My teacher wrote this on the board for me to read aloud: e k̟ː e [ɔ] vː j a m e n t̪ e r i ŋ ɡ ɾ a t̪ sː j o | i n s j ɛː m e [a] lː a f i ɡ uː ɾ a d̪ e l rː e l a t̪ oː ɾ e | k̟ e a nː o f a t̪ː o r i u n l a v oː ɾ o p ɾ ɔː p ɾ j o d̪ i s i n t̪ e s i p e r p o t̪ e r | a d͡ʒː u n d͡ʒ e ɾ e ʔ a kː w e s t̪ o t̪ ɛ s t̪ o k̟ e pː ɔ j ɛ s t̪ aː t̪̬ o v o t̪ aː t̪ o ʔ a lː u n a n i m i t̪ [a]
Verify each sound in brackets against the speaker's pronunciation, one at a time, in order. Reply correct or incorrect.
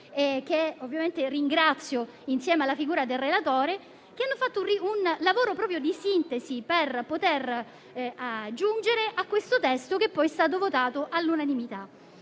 incorrect: o, correct, correct

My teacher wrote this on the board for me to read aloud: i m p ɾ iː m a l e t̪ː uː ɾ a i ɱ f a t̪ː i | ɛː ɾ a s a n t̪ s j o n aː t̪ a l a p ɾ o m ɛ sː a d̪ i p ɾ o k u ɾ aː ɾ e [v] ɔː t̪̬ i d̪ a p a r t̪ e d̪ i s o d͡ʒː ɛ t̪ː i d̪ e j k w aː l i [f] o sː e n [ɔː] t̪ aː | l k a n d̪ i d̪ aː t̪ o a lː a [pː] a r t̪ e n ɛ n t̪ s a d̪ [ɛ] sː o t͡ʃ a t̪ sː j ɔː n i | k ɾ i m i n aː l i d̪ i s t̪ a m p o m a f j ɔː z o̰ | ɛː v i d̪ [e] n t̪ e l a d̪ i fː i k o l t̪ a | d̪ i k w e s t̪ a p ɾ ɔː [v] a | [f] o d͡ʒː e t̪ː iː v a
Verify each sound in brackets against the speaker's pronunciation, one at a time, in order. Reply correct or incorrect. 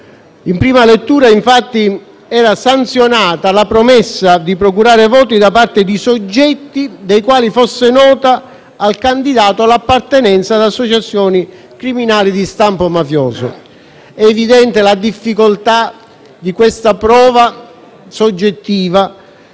correct, correct, correct, correct, incorrect: a, incorrect: ɛ, correct, incorrect: s

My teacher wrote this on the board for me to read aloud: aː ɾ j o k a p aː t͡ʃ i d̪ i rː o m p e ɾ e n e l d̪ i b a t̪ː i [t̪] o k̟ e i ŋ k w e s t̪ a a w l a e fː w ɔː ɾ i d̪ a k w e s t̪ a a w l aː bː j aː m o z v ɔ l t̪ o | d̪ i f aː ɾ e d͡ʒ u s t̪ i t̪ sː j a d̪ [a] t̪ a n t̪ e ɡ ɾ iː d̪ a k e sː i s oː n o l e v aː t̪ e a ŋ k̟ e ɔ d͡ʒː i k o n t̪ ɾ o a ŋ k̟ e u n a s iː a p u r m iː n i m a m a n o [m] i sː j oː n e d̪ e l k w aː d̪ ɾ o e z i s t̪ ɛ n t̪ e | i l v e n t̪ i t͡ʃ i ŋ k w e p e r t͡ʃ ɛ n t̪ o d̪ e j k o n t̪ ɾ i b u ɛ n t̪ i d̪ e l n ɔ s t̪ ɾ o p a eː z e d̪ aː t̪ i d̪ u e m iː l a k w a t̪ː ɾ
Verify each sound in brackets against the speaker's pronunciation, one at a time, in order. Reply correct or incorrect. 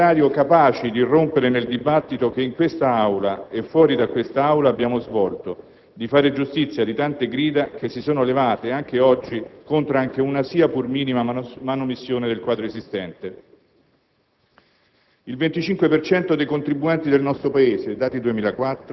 correct, incorrect: i, correct

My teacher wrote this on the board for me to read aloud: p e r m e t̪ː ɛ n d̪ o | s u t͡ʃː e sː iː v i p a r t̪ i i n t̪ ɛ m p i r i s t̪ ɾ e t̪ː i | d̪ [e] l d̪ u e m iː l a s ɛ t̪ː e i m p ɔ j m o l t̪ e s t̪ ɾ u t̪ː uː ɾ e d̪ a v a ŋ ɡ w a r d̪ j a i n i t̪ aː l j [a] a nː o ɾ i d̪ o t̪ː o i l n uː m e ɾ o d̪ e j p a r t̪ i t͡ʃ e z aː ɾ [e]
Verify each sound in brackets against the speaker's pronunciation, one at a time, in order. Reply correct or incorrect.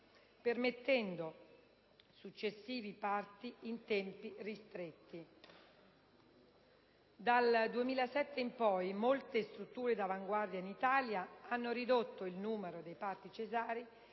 incorrect: a, correct, incorrect: i

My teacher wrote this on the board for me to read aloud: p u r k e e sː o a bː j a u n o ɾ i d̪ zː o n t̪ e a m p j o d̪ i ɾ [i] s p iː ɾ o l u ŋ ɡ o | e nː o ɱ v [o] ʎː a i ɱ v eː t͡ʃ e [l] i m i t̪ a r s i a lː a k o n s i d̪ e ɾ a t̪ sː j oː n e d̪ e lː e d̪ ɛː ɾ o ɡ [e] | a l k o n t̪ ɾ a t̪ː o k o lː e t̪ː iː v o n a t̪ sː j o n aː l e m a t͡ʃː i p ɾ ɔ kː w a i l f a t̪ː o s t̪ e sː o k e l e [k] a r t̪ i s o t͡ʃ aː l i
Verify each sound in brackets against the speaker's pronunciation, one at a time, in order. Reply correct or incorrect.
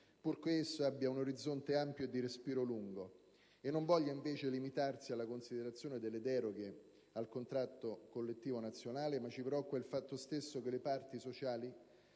incorrect: e, incorrect: ɔ, correct, correct, incorrect: p

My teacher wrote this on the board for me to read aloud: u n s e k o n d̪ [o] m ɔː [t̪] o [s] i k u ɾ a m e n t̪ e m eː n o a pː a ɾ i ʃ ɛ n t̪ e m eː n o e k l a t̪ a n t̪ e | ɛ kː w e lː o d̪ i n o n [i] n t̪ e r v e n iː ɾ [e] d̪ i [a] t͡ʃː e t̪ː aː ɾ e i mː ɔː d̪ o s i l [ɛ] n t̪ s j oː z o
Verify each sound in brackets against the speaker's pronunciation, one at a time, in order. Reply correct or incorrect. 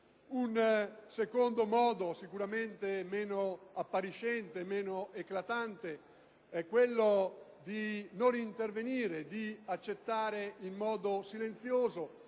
correct, incorrect: d̪, correct, correct, correct, correct, incorrect: e

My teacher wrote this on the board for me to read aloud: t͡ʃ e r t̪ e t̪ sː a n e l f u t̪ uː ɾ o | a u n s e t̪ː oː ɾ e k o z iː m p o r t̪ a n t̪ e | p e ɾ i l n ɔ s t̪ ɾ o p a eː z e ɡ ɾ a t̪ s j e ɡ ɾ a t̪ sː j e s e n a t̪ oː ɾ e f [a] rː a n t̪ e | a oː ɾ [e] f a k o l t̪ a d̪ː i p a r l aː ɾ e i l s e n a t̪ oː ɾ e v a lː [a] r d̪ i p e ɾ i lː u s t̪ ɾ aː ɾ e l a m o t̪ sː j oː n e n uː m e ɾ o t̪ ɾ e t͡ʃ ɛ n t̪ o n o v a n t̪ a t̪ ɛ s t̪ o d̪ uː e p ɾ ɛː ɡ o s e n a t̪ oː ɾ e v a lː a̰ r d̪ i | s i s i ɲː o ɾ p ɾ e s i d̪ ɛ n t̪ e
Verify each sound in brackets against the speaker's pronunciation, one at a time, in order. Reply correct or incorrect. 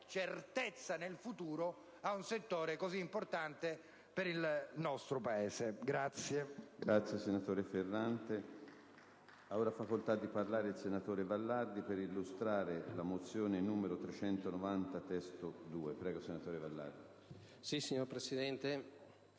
incorrect: e, incorrect: a, correct

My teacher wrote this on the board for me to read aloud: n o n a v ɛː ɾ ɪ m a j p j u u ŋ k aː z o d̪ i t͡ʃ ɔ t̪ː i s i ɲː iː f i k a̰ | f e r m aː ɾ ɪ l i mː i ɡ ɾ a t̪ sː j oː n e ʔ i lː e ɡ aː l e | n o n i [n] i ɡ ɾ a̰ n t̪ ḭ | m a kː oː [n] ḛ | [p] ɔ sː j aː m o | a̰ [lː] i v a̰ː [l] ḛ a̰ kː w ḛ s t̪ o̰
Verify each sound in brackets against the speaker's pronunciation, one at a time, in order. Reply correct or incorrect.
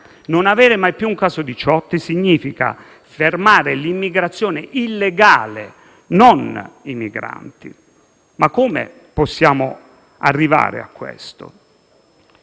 incorrect: m, incorrect: m, correct, incorrect: rː, incorrect: ɾ

